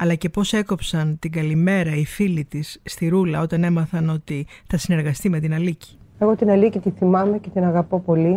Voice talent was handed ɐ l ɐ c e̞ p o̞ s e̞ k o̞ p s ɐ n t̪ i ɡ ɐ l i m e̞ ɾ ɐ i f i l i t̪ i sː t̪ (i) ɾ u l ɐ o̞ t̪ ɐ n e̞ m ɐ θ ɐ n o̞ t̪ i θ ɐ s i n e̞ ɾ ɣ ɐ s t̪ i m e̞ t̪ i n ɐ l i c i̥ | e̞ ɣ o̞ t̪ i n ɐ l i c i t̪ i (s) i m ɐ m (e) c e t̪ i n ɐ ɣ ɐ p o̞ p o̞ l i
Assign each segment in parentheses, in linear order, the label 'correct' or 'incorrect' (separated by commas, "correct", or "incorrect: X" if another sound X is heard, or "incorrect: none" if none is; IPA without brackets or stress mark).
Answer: correct, incorrect: θ, correct